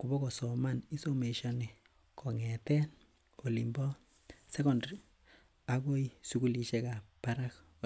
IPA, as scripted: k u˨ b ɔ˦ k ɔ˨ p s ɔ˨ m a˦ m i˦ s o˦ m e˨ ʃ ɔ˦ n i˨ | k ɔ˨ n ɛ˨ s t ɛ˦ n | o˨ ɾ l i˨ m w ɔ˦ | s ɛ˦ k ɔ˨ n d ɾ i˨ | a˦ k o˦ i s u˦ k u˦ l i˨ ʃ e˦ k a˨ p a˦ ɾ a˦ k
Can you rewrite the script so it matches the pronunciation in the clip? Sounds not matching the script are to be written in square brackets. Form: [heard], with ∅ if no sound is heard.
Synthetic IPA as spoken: k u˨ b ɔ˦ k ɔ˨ [∅] s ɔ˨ m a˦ [n] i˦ s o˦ m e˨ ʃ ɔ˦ n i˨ | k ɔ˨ [ŋ] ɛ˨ [∅] t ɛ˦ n | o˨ [∅] l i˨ m [b] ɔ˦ | s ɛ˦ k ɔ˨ n d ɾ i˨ | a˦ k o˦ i s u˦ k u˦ l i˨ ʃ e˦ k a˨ p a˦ ɾ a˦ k